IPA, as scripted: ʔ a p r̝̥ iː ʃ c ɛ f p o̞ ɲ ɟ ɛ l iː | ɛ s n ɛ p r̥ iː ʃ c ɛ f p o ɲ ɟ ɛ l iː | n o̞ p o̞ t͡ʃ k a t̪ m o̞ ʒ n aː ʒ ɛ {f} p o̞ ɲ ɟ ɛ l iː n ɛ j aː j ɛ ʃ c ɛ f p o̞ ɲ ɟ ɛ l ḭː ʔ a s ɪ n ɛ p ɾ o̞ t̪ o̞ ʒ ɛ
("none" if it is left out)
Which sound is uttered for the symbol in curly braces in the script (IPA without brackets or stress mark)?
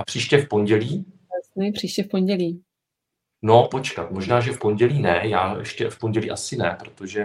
f